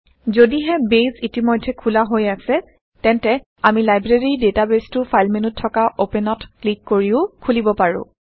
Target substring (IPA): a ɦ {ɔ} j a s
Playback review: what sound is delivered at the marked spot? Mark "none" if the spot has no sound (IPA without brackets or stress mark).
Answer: o